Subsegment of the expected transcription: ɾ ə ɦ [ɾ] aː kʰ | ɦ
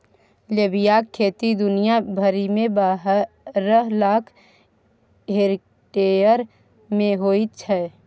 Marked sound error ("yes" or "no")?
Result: yes